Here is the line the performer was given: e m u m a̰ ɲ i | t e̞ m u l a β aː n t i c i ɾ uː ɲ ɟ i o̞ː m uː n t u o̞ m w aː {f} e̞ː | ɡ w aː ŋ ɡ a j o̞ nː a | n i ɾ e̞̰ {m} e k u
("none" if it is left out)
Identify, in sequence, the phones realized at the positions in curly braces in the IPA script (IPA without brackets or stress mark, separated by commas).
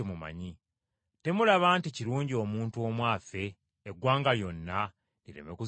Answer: f, m